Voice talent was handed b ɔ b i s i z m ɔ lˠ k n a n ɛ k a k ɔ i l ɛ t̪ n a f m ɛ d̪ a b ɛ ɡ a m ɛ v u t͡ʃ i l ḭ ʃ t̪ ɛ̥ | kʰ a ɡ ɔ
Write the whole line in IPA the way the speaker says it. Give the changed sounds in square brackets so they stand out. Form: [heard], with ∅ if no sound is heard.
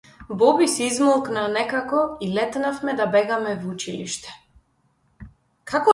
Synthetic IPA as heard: b ɔ b i s i z m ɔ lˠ k n a n ɛ k a k ɔ i l ɛ t̪ n a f m ɛ d̪ a b ɛ ɡ a m ɛ v u t͡ʃ i l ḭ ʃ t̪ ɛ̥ | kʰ a [k] ɔ